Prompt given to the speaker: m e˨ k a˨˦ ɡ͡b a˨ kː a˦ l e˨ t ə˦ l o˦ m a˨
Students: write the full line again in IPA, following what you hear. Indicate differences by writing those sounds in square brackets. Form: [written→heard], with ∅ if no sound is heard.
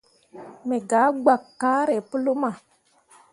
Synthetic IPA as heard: m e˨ [k→ɡ] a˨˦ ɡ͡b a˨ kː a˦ [l→ɾ] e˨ [t→p] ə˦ l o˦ m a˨

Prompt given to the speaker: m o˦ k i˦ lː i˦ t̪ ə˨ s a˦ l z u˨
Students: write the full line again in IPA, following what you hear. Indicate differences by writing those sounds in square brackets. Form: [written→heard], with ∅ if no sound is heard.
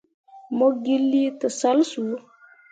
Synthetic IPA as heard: m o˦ [k→ɡ] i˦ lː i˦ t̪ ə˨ s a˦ l [z→s] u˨

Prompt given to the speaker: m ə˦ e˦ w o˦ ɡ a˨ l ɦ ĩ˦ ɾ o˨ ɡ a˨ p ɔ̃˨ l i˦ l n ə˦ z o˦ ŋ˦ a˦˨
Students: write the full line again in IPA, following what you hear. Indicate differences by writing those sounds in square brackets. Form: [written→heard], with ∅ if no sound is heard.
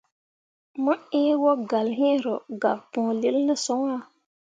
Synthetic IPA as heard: m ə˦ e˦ w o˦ ɡ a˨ l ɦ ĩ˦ ɾ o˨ ɡ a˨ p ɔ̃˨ l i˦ l n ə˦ [z→s] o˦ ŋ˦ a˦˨

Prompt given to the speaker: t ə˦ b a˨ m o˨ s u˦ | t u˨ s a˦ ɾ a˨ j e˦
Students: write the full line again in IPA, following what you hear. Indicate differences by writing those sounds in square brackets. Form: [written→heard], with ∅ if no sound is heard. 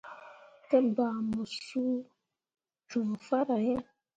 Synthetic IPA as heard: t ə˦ b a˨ m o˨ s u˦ | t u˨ [s→f] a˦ ɾ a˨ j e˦

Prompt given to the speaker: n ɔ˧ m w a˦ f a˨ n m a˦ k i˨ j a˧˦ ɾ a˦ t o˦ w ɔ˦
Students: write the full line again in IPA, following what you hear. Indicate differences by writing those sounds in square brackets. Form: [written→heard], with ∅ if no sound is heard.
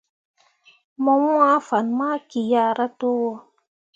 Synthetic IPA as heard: [n→m] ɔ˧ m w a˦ f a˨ n m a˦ k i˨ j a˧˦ ɾ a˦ t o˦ w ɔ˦

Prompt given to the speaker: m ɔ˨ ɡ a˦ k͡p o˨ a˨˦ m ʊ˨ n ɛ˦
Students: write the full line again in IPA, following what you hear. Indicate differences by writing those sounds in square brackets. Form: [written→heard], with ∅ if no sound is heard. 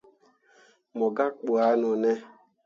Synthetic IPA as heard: m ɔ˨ ɡ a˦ k͡p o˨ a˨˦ [m→n] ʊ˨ n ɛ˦

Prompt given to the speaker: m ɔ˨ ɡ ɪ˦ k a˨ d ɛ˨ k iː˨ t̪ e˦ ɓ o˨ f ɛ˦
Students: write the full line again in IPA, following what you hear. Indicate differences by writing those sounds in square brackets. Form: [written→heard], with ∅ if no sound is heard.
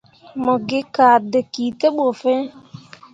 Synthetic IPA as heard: m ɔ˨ ɡ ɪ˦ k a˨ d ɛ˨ k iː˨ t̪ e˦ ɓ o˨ f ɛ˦

